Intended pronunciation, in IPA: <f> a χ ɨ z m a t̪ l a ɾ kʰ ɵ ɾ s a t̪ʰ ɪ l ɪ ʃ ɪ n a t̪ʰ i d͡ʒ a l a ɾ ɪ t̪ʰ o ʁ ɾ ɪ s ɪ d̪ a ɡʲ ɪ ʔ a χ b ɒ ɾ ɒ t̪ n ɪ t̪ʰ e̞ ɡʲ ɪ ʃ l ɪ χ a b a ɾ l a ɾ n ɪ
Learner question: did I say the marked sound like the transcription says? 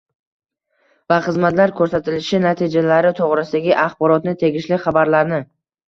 no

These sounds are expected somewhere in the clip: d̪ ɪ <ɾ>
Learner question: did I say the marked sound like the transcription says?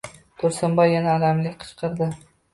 no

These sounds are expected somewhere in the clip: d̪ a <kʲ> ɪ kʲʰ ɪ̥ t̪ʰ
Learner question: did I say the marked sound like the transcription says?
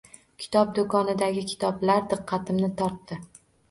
no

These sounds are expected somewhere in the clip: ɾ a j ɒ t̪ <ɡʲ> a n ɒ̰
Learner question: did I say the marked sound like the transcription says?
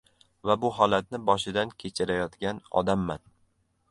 yes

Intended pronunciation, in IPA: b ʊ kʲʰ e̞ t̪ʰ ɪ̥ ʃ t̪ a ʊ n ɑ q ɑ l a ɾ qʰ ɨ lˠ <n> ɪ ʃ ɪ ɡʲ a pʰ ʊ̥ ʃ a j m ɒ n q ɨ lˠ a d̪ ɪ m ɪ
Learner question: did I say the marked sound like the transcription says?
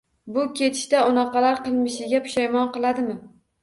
no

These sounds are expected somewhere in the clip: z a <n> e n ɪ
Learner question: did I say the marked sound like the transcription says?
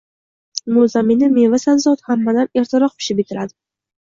no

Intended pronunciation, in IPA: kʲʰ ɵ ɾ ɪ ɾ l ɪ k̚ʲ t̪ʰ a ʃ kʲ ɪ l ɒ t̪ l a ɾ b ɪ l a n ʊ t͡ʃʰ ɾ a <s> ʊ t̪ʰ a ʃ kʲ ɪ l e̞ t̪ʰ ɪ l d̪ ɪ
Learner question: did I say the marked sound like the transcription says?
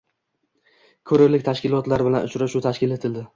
no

